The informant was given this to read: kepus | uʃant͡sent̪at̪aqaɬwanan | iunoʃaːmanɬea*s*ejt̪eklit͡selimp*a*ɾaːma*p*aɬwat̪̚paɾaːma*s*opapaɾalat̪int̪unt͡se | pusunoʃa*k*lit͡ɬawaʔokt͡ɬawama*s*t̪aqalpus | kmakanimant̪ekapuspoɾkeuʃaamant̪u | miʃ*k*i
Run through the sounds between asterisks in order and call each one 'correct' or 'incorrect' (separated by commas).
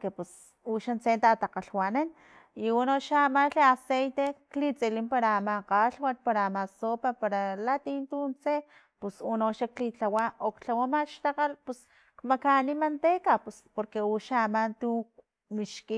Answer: correct, correct, incorrect, correct, correct, incorrect, correct